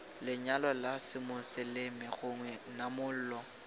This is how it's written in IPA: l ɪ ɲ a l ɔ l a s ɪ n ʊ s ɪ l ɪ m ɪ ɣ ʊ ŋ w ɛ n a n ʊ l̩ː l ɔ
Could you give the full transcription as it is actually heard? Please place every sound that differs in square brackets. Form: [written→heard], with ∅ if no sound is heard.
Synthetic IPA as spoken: l ɪ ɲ a l ɔ l a s ɪ [n→m] ʊ s ɪ l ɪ m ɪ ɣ ʊ ŋ w ɛ n a [n→m] ʊ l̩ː l ɔ